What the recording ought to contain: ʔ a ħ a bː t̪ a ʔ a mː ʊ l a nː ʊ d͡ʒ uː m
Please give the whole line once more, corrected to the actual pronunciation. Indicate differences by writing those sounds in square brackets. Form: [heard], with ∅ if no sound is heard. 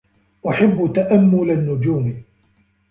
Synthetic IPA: ʔ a ħ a bː t̪ a ʔ a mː ʊ l a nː ʊ d͡ʒ uː m